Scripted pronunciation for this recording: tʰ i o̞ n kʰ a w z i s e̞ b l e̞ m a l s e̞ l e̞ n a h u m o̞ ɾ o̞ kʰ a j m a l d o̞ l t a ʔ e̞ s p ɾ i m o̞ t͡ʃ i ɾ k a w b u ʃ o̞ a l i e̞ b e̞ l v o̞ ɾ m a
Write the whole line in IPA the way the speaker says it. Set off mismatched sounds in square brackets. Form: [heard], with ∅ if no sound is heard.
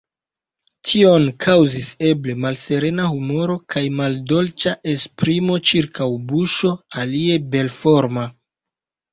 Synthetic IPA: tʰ i o̞ n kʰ a w z i s e̞ b l e̞ m a l s e̞ [ɾ] e̞ n a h u m o̞ ɾ o̞ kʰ a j m a l d o̞ l [t͡ʃ] a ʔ e̞ s p ɾ i m o̞ t͡ʃ i ɾ k a w b u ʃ o̞ a l i e̞ b e̞ l [f] o̞ ɾ m a